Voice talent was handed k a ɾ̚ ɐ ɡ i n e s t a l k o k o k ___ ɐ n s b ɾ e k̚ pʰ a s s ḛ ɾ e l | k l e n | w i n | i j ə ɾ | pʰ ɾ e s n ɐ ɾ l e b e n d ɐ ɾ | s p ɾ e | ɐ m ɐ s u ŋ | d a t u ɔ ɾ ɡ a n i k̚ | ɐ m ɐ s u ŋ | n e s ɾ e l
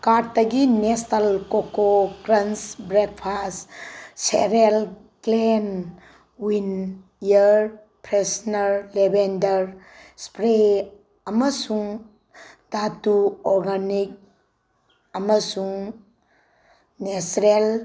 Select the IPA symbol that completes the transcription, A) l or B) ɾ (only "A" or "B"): B